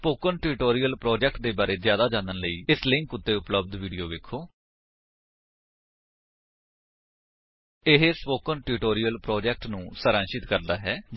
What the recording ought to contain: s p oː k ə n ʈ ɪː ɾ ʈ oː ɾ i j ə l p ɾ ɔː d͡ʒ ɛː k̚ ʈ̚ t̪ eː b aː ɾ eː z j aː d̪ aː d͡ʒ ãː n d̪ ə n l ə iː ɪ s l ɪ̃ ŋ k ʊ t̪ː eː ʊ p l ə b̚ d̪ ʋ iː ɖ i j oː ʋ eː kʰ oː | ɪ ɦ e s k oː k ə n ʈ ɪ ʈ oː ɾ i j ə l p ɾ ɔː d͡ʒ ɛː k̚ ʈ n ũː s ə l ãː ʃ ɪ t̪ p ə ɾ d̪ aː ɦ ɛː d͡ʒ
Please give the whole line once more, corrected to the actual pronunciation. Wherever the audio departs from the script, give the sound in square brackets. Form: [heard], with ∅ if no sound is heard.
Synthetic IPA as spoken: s p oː k ə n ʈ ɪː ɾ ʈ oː ɾ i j ə l p ɾ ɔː d͡ʒ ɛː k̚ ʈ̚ [d̪] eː b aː ɾ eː z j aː d̪ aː d͡ʒ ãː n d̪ ə n l ə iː ɪ s l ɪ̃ ŋ k ʊ t̪ː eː ʊ p l ə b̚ d̪ ʋ iː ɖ i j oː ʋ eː kʰ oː | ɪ ɦ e s [p] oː k ə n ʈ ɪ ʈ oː ɾ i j ə l p ɾ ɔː d͡ʒ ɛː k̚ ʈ n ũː s ə [ɾ] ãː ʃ ɪ t̪ [k] ə ɾ d̪ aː ɦ ɛː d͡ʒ